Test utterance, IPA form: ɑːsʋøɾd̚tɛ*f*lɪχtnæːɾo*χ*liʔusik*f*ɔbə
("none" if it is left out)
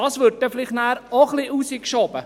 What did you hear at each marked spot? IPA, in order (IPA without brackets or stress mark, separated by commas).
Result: f, χ, ʃ